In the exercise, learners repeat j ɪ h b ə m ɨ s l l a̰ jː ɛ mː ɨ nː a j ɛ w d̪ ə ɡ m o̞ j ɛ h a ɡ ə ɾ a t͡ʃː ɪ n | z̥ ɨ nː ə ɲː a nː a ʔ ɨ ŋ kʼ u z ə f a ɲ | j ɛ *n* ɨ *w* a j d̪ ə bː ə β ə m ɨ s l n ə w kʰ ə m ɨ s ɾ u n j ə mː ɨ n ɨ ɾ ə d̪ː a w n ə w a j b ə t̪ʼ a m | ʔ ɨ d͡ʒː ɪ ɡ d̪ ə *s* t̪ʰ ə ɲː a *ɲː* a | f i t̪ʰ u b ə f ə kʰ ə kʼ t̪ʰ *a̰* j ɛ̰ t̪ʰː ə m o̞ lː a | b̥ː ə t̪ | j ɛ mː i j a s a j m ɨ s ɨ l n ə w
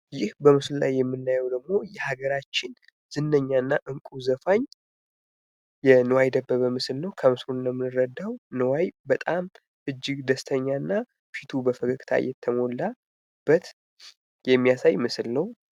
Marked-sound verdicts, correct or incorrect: correct, correct, correct, incorrect: nː, correct

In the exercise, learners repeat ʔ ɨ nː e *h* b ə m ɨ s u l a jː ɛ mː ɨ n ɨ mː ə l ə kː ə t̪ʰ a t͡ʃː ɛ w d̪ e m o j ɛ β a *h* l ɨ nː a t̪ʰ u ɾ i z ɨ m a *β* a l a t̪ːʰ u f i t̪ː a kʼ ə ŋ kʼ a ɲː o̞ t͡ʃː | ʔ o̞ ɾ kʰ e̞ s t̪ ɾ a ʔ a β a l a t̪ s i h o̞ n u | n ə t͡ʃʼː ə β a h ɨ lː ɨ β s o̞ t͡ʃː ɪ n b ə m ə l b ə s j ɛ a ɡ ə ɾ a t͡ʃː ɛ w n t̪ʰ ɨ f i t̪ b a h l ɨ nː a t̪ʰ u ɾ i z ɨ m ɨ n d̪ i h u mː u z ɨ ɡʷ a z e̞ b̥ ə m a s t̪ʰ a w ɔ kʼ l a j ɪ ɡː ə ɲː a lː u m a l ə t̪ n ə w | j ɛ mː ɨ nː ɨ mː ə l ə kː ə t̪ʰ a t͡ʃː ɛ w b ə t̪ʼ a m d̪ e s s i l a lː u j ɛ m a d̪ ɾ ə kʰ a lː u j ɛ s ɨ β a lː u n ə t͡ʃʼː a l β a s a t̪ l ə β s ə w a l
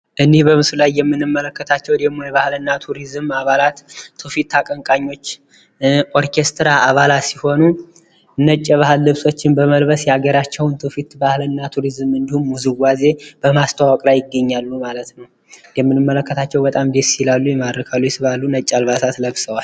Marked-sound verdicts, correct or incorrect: correct, correct, correct

